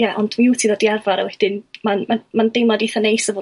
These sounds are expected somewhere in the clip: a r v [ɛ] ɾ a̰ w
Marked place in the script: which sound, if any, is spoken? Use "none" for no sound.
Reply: a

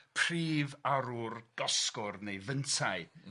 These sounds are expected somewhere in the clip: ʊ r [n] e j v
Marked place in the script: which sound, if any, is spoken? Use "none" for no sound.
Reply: n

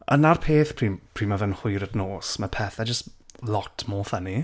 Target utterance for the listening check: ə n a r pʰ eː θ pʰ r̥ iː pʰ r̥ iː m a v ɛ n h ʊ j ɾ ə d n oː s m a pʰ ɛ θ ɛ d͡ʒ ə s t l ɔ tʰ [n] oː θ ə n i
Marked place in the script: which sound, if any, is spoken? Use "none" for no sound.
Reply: m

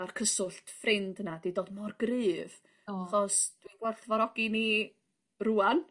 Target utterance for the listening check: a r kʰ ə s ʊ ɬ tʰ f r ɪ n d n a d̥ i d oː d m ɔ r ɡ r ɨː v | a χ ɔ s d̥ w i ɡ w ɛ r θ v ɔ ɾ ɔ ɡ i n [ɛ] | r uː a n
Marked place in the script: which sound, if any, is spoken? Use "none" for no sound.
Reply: i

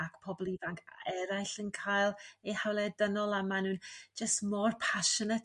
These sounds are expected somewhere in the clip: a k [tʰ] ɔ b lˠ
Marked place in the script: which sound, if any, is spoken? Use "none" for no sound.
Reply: pʰ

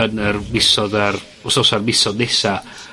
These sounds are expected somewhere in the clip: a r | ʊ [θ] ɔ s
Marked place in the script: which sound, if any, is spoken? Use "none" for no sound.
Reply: s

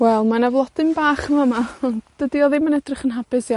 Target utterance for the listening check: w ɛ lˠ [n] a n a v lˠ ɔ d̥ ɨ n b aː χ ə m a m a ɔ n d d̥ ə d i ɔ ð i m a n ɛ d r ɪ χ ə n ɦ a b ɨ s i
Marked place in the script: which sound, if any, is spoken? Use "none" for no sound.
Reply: m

